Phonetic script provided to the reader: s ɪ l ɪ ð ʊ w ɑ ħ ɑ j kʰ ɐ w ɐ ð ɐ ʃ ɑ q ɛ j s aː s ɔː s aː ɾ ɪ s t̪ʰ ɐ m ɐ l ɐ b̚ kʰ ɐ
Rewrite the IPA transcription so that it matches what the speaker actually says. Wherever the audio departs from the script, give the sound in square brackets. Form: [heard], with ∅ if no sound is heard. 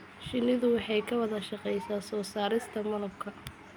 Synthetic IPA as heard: [ʃ] ɪ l ɪ ð ʊ w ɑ ħ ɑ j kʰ ɐ w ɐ ð ɐ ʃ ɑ q ɛ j s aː s ɔː s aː ɾ ɪ s t̪ʰ ɐ m ɐ l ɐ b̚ kʰ ɐ